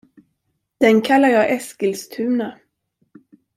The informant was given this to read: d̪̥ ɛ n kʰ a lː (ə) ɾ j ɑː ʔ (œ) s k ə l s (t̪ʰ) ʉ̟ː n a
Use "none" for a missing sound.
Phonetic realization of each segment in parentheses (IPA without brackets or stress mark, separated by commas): a, ɛ, t̪ʰ